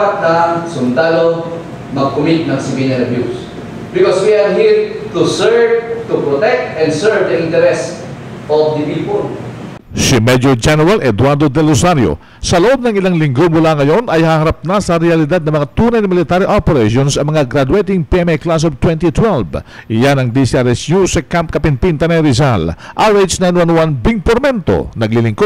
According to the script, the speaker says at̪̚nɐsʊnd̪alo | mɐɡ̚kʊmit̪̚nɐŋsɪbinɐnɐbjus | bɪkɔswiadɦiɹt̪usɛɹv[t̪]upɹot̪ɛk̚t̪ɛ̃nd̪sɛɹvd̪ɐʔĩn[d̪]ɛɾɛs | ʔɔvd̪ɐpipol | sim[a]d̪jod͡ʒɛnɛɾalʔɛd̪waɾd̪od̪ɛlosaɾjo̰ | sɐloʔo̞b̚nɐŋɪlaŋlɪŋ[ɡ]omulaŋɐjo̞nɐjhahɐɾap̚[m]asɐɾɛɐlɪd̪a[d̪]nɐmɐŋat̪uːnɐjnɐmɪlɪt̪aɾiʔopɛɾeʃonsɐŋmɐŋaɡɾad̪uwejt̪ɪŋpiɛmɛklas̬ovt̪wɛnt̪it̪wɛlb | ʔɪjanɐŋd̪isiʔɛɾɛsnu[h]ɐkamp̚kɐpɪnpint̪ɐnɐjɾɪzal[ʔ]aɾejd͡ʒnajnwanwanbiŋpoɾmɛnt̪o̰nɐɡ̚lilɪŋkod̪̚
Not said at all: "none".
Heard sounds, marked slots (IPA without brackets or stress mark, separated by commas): t̪, t̪, ɛ, ɡ, n, d̪, s, ʔ